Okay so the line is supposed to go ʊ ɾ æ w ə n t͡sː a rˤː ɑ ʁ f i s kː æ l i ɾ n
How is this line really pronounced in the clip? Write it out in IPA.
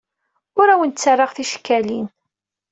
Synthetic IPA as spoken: ʊ ɾ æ w ə n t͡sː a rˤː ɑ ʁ θ i ʃ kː æ l i n